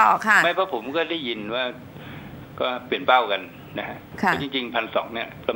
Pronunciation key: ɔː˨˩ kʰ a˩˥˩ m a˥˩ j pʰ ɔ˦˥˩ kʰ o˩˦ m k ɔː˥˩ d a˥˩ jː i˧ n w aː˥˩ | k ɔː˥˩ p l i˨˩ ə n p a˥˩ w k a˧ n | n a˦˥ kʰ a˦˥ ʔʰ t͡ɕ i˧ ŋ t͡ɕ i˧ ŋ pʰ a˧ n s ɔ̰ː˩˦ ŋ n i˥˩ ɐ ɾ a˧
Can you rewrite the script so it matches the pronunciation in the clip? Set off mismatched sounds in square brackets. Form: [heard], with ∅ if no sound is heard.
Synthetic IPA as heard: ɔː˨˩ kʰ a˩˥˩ m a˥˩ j pʰ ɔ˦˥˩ [pʰ] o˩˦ m k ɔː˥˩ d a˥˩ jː i˧ n w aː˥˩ | k ɔː˥˩ p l i˨˩ ə n p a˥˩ w k a˧ n | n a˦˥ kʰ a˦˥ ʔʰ t͡ɕ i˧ ŋ t͡ɕ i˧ ŋ pʰ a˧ n s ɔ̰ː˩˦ ŋ n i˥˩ ɐ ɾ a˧